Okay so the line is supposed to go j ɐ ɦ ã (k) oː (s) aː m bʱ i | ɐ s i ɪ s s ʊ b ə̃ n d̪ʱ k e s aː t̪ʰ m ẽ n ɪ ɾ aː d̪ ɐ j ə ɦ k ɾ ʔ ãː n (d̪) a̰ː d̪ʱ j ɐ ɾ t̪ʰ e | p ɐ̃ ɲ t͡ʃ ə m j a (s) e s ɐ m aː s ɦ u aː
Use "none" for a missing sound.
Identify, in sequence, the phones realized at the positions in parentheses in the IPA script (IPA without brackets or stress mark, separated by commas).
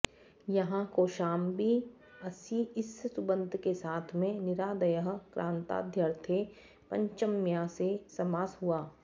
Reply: k, ʃ, t̪, s